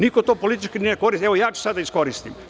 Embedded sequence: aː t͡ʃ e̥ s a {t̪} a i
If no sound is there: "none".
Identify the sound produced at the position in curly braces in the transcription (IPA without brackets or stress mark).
d̪